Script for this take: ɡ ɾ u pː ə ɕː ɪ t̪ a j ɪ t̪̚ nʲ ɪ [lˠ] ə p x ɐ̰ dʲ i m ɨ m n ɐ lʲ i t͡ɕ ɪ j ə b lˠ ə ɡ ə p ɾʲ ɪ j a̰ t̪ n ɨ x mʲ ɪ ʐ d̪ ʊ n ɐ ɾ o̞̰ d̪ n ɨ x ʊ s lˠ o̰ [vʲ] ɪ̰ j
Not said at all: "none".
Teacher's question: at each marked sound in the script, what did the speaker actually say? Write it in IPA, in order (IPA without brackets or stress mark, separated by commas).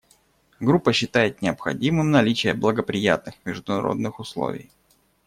none, vʲ